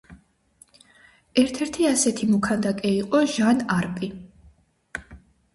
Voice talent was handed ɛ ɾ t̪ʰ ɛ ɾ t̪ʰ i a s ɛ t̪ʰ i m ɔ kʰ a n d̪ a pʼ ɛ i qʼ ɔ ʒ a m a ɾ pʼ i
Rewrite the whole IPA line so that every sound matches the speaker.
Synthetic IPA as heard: ɛ ɾ t̪ʰ ɛ ɾ t̪ʰ i a s ɛ t̪ʰ i m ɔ kʰ a n d̪ a kʼ ɛ i qʼ ɔ ʒ a n a ɾ pʼ i